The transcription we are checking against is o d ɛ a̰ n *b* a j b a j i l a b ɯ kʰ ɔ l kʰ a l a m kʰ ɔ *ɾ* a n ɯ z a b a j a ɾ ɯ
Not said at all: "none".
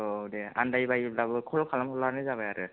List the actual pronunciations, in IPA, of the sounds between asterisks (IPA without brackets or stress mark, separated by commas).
d, l